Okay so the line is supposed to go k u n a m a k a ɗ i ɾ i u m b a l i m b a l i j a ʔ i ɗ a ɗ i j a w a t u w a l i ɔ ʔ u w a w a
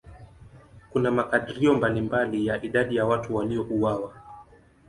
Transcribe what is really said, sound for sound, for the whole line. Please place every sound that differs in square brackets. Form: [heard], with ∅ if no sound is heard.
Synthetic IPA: k u n a m a k a ɗ i ɾ i [ɔ] m b a l i m b a l i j a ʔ i ɗ a ɗ i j a w a t u w a l i ɔ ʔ u w a w a